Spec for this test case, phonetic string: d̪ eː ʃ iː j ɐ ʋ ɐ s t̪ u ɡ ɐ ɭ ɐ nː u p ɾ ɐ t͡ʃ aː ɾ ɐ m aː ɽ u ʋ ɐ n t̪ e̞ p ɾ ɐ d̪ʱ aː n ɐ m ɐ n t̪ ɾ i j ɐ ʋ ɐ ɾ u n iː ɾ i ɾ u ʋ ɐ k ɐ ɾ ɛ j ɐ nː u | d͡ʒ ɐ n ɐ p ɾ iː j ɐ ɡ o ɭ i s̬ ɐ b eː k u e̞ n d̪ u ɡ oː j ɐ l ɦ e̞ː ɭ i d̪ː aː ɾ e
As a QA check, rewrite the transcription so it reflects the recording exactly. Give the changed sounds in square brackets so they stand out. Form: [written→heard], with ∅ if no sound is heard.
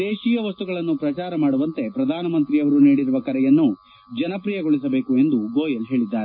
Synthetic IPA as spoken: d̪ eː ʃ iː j ɐ ʋ ɐ s t̪ u ɡ ɐ ɭ ɐ nː u p ɾ ɐ t͡ʃ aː ɾ ɐ m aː ɽ u ʋ ɐ n t̪ e̞ p ɾ ɐ d̪ʱ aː n ɐ m ɐ n t̪ ɾ i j ɐ ʋ ɐ ɾ u n iː [ɾ→ɽ] i ɾ u ʋ ɐ k ɐ ɾ ɛ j ɐ nː u | d͡ʒ ɐ n ɐ p ɾ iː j ɐ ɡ o ɭ i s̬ ɐ b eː k u e̞ n d̪ u ɡ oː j ɐ l ɦ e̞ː ɭ i d̪ː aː ɾ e